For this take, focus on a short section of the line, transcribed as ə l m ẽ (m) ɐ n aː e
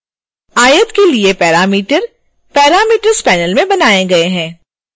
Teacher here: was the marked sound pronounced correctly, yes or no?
no